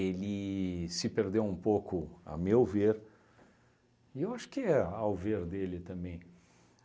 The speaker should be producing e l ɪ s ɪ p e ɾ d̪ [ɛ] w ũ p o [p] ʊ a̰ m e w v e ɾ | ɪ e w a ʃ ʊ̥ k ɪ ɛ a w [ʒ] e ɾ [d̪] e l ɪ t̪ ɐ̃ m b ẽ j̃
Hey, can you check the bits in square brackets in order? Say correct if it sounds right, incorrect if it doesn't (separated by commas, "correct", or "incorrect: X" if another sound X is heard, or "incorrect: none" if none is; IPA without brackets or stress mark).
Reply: incorrect: e, incorrect: k, incorrect: v, correct